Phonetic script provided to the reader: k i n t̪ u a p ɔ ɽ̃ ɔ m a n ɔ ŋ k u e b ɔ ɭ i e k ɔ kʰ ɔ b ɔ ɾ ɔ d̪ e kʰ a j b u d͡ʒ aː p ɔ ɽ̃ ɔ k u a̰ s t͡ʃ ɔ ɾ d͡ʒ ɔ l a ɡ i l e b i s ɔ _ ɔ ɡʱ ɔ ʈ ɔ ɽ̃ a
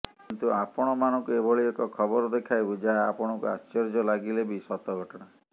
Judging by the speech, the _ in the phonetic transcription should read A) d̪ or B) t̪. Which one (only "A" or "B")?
B